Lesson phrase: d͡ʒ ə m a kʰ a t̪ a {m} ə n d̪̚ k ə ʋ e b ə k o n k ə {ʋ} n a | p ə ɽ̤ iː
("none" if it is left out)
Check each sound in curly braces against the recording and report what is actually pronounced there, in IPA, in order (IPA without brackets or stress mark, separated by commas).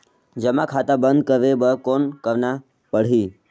b, ʋ